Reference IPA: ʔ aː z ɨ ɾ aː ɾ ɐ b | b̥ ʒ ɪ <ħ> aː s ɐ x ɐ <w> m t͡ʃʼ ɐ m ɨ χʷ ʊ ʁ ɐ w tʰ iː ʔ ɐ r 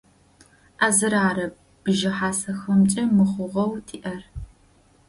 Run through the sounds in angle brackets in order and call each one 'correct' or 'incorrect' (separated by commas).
correct, incorrect